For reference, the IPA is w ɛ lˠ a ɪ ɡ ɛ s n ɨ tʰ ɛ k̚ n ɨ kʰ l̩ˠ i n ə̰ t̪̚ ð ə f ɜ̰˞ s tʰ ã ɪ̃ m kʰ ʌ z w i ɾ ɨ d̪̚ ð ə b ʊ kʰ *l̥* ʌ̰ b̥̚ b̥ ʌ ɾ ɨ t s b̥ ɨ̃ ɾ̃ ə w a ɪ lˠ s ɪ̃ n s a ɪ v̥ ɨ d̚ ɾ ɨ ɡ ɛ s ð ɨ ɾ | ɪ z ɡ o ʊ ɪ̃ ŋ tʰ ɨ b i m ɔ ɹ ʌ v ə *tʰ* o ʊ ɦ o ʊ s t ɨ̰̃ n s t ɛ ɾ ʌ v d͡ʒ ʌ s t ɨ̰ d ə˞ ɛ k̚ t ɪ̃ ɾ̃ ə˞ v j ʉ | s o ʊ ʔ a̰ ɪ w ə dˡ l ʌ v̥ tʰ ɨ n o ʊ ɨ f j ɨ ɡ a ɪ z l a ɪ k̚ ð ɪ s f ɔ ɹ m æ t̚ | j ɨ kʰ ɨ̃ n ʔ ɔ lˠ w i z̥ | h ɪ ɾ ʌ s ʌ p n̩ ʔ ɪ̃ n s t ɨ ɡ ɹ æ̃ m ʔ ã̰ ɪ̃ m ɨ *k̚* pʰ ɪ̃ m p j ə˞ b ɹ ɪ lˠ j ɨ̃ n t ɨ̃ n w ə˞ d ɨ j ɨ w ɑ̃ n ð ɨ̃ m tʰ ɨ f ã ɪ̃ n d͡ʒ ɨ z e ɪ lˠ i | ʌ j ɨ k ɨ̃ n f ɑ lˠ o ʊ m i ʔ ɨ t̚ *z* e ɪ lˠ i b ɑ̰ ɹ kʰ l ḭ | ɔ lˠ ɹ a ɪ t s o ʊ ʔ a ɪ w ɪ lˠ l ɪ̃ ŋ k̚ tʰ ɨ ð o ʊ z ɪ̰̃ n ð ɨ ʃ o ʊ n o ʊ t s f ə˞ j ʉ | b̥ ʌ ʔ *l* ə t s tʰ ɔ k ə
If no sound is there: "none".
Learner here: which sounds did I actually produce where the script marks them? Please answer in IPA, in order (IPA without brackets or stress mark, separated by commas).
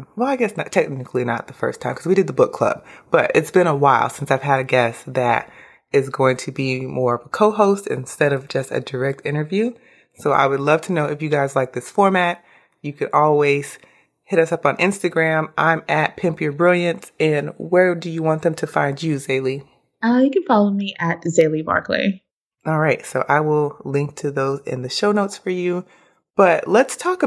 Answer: l̥, kʰ, t̚, z, l